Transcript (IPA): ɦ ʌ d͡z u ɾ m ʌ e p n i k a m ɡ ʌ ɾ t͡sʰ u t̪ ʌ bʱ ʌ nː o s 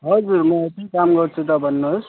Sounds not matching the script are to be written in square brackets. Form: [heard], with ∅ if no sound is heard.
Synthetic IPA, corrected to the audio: ɦ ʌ d͡z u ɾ m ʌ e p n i k a m ɡ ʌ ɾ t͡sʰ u t̪ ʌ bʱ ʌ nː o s